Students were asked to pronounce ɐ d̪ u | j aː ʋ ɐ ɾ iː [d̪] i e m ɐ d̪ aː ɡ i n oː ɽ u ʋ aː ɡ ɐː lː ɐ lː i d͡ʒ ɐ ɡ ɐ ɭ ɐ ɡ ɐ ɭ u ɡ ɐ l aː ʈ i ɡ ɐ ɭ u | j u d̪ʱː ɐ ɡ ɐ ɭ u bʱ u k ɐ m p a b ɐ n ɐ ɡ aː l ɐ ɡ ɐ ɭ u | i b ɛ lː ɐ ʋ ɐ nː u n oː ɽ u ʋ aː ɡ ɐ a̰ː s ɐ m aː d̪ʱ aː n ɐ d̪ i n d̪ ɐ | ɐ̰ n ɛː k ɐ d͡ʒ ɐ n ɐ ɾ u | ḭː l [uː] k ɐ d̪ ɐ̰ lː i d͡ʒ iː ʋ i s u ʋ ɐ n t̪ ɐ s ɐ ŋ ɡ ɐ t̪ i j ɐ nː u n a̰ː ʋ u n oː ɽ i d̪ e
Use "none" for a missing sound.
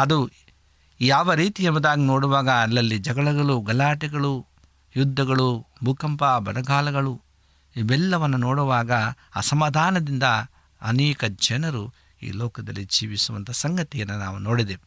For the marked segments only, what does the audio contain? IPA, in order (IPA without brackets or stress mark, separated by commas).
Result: t̪, ɔː